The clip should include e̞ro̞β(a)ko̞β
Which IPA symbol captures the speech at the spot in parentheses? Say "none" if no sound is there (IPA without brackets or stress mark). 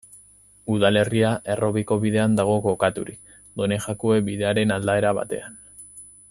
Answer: i